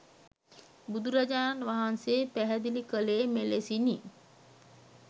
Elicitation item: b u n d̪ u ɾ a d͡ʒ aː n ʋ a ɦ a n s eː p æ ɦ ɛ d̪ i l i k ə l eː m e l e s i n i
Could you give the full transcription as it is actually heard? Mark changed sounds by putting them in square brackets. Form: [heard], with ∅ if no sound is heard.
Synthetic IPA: b u [∅] d̪ u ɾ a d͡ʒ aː n ʋ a ɦ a n s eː p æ ɦ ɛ d̪ i l i k ə l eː m e l e s i n i